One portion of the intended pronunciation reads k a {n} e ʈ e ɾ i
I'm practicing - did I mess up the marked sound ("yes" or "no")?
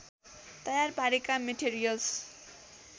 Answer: yes